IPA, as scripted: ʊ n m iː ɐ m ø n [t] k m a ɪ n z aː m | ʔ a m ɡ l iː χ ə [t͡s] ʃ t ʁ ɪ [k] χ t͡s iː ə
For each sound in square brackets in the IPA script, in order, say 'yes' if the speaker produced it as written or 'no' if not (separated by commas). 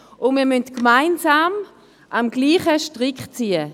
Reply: yes, no, yes